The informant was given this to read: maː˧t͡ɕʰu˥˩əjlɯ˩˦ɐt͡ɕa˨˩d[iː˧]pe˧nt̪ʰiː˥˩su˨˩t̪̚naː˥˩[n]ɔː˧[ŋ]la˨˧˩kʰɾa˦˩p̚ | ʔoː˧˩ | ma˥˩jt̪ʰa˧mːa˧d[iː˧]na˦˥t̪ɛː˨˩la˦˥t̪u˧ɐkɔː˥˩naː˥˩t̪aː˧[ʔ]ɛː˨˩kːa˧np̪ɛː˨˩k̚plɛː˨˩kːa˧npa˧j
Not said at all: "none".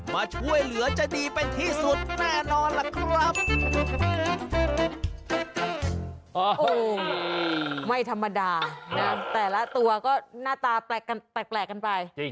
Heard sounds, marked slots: iː˧, n, n, aː˧, p

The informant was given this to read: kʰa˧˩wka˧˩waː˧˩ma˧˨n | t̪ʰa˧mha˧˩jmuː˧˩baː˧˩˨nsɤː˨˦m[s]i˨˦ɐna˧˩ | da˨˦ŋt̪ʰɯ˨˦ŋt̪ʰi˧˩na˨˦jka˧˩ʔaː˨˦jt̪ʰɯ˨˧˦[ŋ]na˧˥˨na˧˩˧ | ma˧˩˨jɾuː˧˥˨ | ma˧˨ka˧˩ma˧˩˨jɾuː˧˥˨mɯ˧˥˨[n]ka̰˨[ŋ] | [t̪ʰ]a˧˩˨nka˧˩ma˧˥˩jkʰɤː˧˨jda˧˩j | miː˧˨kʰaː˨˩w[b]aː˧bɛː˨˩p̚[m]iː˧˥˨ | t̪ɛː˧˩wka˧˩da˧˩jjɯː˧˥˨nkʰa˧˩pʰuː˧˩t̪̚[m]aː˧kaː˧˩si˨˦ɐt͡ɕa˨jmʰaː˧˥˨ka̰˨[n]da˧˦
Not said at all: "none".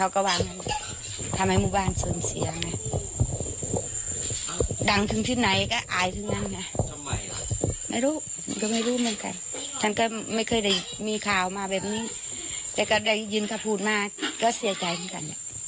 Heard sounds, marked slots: s, ŋ, n, n, t̪ʰ, m, n, m, n

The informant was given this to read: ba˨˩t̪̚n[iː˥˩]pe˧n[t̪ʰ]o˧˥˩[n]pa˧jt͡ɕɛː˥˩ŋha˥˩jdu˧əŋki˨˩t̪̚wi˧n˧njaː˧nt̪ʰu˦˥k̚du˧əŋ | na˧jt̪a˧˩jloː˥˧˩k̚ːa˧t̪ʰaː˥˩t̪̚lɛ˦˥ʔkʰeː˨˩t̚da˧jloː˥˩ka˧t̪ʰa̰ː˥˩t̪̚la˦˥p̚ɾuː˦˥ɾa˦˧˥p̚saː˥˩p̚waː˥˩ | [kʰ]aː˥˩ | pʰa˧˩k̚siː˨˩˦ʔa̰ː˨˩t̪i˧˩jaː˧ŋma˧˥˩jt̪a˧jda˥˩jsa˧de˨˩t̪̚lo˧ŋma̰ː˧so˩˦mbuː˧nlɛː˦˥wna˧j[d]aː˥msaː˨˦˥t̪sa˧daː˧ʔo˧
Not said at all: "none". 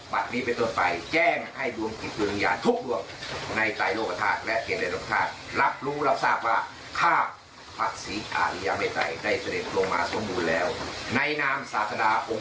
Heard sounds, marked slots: iː˦˥, t̪, n, kʰ, n

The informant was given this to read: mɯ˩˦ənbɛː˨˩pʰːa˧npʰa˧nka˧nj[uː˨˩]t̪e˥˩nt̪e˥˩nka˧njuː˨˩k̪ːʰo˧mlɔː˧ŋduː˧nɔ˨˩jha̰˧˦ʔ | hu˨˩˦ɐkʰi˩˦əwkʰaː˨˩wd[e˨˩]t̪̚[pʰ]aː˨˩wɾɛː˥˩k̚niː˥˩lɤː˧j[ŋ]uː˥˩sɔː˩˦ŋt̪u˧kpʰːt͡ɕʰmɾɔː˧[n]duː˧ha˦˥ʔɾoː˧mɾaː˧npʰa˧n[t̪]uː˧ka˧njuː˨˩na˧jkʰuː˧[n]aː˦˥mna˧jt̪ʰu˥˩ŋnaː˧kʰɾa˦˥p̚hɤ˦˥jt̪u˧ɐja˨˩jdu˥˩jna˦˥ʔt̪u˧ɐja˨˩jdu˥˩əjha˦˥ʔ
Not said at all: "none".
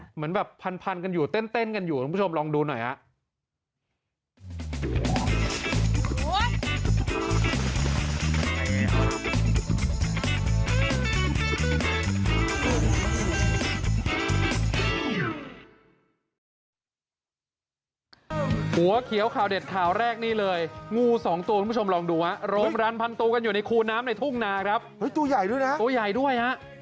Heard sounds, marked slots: uː˨˩, e˨˩, kʰ, ŋ, ŋ, t̪, n

